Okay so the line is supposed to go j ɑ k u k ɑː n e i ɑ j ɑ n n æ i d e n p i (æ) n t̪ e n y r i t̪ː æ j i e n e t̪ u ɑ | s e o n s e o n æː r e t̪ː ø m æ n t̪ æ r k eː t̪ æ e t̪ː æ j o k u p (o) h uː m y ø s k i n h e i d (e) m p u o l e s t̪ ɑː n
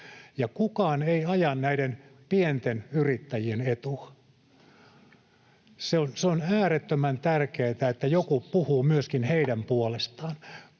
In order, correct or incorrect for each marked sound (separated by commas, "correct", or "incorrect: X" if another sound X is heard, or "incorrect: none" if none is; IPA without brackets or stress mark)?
incorrect: e, incorrect: u, incorrect: æ